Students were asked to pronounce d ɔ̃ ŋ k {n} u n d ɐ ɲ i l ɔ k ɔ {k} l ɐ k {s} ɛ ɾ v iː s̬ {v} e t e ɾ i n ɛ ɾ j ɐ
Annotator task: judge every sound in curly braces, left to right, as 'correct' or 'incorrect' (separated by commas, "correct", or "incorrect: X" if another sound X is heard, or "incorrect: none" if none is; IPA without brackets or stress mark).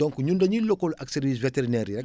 incorrect: ɲ, incorrect: none, correct, correct